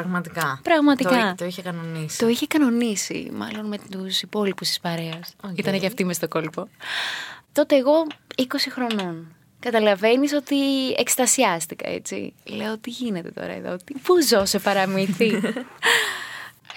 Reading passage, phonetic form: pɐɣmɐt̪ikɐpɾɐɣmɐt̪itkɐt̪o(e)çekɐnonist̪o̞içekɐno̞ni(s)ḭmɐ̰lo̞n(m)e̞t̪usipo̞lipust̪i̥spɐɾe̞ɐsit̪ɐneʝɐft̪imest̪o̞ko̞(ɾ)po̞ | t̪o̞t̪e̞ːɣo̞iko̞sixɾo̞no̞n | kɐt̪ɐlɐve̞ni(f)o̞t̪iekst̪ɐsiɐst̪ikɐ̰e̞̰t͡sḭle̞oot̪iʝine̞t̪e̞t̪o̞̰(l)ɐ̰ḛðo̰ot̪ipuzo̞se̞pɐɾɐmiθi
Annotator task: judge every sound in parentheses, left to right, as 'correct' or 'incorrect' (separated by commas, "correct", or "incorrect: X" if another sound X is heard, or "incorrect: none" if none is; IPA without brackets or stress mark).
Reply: incorrect: i, correct, correct, incorrect: l, incorrect: s, incorrect: ɾ